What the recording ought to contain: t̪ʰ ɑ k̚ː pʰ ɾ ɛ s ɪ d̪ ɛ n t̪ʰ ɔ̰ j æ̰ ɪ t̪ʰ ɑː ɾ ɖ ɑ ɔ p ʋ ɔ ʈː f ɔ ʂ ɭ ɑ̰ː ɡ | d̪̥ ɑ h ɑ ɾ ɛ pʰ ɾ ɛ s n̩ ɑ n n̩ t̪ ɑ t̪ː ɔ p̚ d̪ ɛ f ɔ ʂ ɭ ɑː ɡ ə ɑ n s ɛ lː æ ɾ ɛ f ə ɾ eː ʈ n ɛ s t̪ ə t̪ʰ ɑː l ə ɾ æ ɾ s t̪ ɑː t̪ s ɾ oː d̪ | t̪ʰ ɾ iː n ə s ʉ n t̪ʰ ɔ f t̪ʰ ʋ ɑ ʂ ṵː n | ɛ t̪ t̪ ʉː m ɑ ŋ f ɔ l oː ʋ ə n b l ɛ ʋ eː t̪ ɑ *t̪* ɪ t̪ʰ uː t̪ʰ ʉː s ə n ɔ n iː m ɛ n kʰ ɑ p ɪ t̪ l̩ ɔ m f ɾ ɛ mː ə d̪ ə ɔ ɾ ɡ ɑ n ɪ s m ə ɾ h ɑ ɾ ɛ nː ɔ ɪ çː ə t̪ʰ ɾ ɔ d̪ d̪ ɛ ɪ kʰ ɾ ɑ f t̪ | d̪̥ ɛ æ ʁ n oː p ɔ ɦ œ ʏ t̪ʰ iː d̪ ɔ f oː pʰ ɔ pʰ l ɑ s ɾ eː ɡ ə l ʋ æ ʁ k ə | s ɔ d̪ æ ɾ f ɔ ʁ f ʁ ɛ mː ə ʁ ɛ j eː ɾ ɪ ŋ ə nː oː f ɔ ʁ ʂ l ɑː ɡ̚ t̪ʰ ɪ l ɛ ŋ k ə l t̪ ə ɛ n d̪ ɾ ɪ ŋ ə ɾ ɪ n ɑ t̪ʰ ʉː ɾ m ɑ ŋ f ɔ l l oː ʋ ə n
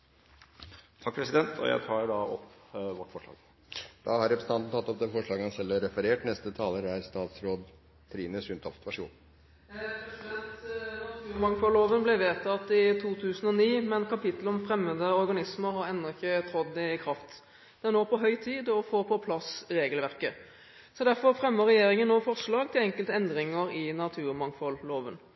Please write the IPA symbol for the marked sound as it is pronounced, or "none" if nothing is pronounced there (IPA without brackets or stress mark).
t̪